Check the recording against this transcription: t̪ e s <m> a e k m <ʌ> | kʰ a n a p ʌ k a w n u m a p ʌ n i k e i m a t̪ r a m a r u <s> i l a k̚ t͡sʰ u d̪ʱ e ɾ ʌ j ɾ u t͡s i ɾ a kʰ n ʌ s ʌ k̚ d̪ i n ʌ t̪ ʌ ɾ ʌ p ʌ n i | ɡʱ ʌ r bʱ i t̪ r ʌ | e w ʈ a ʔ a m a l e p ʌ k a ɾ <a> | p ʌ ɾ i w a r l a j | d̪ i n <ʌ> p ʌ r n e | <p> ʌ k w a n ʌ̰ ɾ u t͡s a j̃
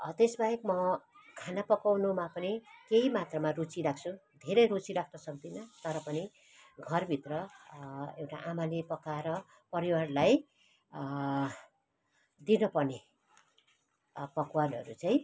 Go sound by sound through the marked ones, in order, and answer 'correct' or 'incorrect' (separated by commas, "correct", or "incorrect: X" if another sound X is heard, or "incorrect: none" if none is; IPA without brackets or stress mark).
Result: incorrect: b, correct, incorrect: t͡s, incorrect: ʌ, correct, correct